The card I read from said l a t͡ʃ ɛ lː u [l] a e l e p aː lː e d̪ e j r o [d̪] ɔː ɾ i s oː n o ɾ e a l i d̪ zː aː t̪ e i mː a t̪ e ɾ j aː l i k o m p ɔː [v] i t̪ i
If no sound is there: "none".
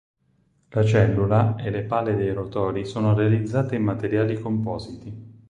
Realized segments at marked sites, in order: l, t̪, z

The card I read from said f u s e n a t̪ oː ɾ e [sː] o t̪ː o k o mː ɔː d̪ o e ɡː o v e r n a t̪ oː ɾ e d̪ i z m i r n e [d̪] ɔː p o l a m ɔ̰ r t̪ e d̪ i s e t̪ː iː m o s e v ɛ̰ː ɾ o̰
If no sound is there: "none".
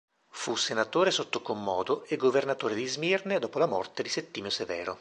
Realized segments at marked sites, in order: s, d̪

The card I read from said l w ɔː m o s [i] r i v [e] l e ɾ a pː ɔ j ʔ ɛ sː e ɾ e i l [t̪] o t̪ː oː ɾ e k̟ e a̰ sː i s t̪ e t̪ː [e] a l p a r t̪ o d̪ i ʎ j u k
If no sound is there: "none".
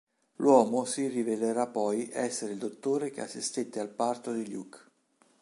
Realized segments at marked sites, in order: i, e, d̪, e

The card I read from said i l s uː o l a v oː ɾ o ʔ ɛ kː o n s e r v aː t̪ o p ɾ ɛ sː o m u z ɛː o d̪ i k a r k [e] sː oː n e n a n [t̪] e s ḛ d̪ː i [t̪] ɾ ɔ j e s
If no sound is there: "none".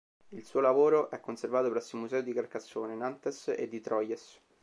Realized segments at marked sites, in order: a, t̪, t̪

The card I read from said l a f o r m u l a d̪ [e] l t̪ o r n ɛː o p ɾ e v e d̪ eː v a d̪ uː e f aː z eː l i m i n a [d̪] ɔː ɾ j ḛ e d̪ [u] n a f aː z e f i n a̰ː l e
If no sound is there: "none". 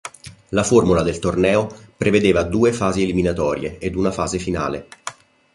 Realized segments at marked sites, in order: e, t̪, u

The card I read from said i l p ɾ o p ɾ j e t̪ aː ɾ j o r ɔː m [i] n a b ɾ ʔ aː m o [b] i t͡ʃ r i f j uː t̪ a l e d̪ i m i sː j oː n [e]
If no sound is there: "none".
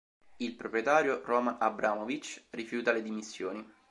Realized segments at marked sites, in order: a, v, i

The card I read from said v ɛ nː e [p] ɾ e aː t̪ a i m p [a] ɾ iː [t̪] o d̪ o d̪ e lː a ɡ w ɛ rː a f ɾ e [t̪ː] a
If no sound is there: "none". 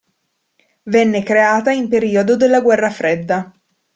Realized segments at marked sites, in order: k, e, none, d̪ː

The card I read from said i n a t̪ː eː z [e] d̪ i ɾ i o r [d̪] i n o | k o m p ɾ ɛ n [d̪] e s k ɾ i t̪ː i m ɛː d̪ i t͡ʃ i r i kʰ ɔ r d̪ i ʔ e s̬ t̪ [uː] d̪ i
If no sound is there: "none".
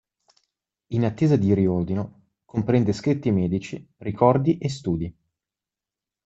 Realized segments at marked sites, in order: a, d̪, d̪, uː

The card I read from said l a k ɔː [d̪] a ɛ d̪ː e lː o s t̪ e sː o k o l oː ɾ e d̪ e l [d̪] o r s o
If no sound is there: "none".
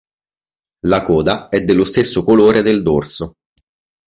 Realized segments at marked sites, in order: d̪, d̪

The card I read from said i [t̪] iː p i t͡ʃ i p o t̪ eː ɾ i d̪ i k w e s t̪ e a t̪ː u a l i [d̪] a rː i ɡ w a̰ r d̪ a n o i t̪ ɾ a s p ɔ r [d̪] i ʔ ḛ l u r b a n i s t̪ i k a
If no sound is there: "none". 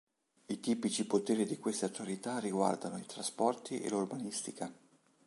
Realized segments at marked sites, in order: t̪, t̪, t̪

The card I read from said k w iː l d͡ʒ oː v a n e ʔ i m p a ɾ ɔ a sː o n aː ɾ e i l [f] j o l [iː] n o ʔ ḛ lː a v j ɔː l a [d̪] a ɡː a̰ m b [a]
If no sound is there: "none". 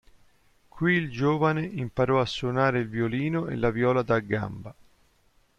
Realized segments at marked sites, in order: v, iː, d̪, a

